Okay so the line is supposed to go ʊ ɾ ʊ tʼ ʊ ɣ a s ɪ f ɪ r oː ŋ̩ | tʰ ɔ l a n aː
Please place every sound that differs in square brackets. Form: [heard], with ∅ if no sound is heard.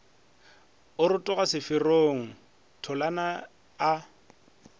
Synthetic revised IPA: ʊ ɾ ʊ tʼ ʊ ɣ a s ɪ f ɪ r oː ŋ̩ | tʰ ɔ l a n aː